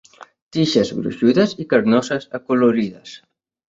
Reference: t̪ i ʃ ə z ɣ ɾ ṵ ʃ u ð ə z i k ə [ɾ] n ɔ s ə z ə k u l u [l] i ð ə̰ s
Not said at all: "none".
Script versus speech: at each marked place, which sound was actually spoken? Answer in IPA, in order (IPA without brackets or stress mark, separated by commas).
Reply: ɾ, ɾ